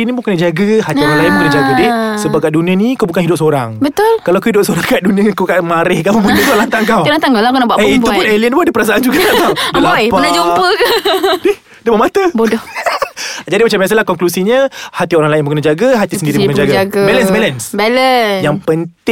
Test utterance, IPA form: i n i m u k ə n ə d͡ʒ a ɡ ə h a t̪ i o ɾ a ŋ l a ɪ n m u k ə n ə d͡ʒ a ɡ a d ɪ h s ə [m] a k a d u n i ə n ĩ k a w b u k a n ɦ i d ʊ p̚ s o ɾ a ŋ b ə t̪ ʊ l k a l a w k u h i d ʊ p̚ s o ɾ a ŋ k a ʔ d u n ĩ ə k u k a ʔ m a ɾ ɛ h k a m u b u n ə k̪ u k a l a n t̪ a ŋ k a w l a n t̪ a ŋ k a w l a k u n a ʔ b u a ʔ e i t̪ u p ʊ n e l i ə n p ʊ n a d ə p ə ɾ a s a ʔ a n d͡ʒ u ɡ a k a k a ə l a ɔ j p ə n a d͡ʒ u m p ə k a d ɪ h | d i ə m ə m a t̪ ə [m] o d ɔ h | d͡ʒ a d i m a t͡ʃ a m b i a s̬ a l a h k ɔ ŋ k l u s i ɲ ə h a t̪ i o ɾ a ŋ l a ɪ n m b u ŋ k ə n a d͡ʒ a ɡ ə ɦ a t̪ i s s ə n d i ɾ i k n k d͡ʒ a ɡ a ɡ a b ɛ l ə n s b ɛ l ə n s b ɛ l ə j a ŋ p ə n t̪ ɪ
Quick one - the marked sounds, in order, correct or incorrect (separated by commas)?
incorrect, incorrect